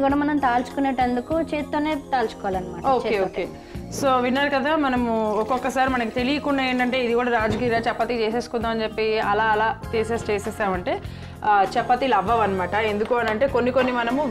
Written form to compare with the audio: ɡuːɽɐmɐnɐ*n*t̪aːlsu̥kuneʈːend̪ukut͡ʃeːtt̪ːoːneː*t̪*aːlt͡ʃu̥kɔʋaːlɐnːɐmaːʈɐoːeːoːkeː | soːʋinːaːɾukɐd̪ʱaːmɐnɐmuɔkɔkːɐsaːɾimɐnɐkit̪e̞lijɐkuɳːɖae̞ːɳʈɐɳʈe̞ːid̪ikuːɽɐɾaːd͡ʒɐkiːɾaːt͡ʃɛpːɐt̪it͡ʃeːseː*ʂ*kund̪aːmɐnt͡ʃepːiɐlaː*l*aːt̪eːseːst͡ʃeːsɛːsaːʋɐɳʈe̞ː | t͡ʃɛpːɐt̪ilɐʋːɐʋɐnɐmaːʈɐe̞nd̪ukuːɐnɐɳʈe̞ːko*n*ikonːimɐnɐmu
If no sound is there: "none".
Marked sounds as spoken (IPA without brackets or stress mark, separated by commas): m, t̪, s, l, nː